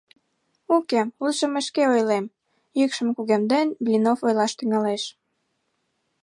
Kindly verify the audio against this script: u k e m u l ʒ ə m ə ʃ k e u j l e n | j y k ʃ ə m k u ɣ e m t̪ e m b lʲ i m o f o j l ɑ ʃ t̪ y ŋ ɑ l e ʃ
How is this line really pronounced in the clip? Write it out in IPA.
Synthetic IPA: u k e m u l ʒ ə m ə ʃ k e o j l e m | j y k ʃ ə m k u ɣ e m d̪ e n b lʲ i n o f o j l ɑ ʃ t̪ y ŋ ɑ l e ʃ